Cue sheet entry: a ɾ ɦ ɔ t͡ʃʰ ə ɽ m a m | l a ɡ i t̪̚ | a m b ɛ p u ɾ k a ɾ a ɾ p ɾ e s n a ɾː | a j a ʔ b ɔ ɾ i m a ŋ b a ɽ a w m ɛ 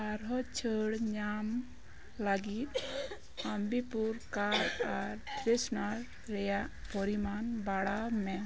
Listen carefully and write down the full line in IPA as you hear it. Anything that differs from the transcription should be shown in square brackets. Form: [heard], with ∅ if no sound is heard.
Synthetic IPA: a ɾ ɦ ɔ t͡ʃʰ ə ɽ [ɲ] a m | l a ɡ i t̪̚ | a m b [i] p u ɾ k a ɾ a ɾ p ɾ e s n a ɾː | [ɛ] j a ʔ [p] ɔ ɾ i m a [n] b a ɽ a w m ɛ